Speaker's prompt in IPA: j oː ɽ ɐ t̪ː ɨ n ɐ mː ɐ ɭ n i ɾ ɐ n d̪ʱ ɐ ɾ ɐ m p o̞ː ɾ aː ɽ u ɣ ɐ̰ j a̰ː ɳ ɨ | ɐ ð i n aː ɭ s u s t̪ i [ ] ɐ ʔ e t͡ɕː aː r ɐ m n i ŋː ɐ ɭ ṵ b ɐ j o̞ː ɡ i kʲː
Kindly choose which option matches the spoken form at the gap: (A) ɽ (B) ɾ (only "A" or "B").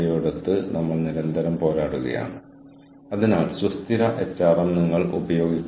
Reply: B